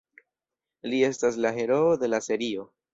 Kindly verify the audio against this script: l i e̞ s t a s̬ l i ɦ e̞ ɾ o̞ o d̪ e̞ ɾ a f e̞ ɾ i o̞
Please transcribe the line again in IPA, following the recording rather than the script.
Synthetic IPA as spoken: l i e̞ s t a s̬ l a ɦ e̞ ɾ o̞ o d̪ e̞ l a s e̞ ɾ i o̞